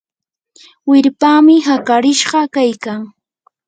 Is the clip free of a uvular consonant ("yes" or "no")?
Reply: no